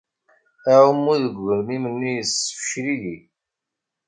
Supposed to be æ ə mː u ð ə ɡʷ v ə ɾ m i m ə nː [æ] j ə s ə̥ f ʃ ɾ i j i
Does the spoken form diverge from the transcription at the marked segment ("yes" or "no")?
yes